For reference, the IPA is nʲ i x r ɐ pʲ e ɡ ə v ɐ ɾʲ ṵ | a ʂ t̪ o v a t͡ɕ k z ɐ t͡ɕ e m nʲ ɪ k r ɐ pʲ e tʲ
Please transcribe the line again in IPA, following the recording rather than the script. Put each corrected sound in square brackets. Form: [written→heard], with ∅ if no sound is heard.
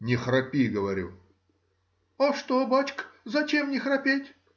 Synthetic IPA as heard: nʲ [i→ɪ] x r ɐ pʲ [e→i] ɡ ə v ɐ ɾʲ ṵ | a ʂ t̪ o [v→b] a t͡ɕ k z ɐ t͡ɕ e m nʲ ɪ [k→x] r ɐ pʲ e tʲ